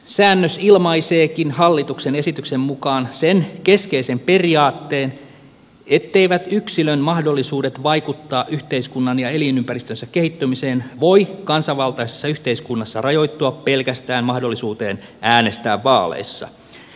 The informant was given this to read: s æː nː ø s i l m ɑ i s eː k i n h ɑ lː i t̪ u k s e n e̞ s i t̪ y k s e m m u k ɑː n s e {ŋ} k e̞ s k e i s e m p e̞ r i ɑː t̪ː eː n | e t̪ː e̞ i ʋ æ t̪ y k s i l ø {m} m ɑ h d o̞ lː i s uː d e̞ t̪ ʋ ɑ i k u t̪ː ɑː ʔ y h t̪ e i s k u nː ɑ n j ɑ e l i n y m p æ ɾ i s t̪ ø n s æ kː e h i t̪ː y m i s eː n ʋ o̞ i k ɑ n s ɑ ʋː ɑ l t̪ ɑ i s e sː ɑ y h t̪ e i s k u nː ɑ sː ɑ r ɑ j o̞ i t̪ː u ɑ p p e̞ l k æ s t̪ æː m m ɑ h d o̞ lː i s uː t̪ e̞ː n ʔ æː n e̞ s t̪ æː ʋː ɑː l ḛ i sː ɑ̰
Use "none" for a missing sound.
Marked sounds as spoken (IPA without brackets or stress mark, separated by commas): n, n